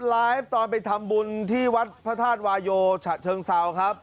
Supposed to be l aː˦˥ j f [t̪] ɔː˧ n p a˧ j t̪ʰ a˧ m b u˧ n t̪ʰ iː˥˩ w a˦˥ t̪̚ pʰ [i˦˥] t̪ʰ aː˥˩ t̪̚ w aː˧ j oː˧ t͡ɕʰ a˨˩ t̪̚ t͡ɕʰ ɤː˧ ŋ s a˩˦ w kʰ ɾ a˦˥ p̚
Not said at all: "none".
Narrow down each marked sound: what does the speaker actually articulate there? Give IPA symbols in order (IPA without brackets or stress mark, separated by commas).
t̪, a˦˥